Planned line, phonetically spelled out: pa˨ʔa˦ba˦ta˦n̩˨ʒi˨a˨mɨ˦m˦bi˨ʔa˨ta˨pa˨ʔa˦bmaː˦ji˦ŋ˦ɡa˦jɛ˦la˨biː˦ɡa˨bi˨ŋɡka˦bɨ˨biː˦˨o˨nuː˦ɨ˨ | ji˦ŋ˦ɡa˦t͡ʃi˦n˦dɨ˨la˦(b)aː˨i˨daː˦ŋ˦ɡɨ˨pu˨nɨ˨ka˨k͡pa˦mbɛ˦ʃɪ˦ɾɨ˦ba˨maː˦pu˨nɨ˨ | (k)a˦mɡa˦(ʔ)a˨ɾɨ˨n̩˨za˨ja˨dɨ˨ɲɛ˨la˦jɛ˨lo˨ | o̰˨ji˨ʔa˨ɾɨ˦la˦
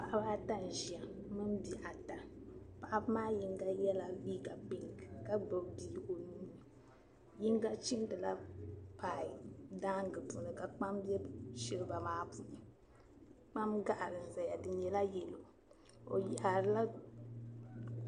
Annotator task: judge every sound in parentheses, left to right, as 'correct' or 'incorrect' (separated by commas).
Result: incorrect, incorrect, correct